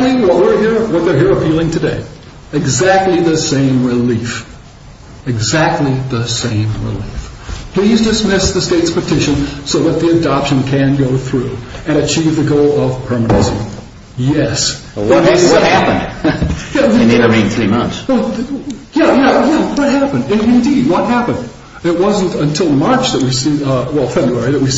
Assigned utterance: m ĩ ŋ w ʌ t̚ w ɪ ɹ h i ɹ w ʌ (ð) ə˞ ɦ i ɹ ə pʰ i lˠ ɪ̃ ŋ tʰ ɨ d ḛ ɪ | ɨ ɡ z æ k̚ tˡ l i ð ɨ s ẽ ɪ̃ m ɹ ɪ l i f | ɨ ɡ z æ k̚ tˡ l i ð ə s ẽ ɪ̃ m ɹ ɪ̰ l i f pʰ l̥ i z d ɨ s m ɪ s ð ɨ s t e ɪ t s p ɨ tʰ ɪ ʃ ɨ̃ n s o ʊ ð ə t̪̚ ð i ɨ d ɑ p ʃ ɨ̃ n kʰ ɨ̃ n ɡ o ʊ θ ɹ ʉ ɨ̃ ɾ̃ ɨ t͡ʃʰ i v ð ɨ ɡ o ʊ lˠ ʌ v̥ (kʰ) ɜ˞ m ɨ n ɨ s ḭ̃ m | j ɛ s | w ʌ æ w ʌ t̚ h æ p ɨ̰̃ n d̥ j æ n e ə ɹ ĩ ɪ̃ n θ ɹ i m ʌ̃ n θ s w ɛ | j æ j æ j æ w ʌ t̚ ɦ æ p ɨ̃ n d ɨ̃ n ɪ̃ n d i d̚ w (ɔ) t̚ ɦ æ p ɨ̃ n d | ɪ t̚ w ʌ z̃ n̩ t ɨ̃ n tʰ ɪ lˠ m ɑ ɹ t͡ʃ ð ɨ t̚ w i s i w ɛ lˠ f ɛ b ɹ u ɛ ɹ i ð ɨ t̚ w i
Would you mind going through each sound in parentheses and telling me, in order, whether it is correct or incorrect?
correct, incorrect: pʰ, incorrect: ʌ

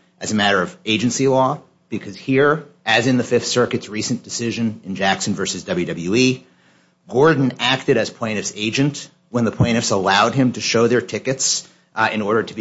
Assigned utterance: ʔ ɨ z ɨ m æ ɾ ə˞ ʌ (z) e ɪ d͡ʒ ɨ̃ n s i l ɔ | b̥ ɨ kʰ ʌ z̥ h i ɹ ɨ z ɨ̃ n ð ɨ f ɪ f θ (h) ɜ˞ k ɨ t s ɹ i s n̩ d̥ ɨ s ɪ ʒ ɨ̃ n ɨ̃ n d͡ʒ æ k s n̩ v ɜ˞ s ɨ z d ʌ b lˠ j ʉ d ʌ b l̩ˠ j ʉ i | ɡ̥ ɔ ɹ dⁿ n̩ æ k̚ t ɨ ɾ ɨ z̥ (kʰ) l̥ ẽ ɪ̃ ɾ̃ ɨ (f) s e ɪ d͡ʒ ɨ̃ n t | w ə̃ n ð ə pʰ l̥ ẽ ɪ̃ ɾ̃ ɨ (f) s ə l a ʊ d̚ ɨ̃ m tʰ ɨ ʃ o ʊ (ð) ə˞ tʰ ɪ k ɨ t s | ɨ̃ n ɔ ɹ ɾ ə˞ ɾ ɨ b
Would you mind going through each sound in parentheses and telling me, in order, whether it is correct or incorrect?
incorrect: v, incorrect: s, incorrect: pʰ, correct, correct, correct

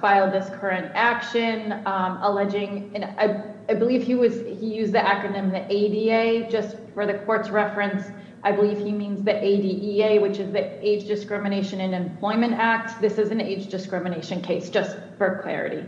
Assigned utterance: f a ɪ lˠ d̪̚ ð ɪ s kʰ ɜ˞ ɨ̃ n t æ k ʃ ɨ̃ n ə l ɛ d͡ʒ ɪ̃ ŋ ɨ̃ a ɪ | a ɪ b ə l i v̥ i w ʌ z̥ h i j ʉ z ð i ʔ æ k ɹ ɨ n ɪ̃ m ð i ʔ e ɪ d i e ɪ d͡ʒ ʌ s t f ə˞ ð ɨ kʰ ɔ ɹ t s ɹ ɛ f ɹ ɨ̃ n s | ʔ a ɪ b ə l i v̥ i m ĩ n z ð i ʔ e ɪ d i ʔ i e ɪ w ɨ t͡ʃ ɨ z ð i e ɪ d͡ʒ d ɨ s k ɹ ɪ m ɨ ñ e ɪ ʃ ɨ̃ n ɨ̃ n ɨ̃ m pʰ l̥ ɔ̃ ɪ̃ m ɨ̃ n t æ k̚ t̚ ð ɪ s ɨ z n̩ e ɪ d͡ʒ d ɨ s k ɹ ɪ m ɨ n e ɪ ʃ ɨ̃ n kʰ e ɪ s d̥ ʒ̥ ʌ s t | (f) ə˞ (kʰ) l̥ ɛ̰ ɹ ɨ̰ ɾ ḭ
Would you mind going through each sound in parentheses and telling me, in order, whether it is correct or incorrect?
correct, correct

